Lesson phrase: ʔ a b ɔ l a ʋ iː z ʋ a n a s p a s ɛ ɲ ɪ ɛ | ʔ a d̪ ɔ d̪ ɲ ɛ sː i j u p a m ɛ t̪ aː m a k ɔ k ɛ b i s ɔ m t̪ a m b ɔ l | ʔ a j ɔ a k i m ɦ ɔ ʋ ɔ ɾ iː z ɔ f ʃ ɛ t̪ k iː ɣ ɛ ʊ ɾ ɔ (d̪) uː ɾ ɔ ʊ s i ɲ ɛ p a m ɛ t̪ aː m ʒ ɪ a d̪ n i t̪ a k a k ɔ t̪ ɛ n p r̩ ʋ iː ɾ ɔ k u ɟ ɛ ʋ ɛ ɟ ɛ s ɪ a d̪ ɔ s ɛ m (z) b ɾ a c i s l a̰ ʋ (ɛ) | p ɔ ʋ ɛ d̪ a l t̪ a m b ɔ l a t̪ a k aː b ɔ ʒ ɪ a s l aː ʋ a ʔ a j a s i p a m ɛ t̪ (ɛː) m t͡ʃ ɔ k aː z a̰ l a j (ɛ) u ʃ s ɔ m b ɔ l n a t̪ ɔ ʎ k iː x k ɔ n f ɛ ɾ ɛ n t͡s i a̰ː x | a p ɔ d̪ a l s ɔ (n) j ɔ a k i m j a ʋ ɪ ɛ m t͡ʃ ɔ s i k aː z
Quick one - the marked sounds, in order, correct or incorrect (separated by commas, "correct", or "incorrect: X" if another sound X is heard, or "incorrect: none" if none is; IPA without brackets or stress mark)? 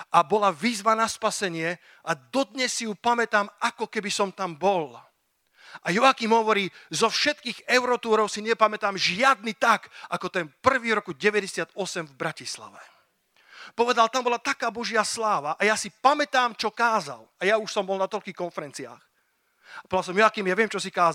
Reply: incorrect: t̪, incorrect: v, correct, incorrect: aː, incorrect: a, incorrect: m